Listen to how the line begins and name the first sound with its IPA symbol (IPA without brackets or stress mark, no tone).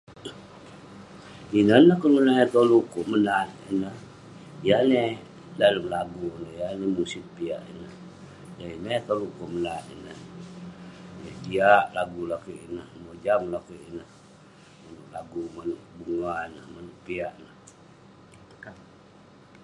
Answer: i